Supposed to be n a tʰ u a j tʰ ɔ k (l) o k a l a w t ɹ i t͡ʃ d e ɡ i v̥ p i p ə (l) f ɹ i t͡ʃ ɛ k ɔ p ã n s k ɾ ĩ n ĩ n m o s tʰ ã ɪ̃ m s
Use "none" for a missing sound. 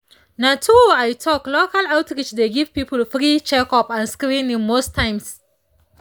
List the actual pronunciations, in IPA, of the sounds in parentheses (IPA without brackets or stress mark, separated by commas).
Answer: l, l